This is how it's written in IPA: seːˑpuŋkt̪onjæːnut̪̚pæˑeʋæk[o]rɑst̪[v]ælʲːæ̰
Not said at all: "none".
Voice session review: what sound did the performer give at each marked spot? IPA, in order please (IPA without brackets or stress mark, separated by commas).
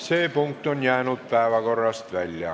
o, ʋ